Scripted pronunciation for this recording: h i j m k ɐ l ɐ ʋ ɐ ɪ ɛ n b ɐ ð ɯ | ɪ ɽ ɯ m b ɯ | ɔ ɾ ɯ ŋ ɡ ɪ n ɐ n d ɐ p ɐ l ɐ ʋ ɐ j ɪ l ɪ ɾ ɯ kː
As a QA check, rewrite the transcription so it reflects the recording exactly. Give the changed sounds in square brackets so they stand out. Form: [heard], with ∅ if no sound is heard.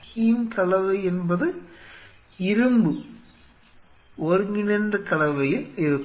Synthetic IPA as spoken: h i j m k ɐ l ɐ ʋ ɐ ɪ ɛ n b ɐ ð ɯ | ɪ [ɾ] ɯ m b ɯ | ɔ ɾ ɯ ŋ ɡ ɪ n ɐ n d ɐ [k] ɐ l ɐ ʋ ɐ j ɪ l ɪ ɾ ɯ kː